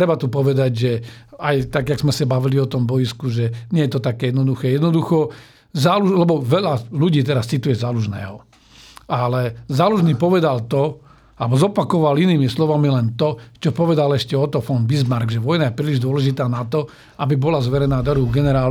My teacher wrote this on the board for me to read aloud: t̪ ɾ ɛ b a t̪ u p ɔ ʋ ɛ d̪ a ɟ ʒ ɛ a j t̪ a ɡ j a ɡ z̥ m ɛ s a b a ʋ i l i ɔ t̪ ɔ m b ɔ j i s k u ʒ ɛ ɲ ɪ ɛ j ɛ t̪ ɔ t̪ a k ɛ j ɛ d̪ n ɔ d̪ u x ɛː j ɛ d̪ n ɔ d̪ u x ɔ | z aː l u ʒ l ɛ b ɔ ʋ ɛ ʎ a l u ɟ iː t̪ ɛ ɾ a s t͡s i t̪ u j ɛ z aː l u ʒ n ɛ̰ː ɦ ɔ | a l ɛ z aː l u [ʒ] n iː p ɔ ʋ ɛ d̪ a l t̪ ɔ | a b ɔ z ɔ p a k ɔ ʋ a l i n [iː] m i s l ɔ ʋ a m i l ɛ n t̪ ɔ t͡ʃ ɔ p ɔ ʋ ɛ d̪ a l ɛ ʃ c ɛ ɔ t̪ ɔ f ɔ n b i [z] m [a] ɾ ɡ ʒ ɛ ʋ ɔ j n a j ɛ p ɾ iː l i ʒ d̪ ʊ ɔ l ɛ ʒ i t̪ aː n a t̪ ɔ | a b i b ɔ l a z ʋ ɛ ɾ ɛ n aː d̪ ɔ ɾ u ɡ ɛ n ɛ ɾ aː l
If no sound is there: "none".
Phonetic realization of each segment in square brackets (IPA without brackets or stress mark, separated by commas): ʒ, iː, z, a